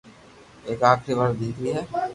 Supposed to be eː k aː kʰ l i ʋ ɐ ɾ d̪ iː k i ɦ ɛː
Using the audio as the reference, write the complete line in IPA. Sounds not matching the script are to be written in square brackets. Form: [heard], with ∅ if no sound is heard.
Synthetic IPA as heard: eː k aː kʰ [ɾ] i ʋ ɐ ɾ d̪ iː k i ɦ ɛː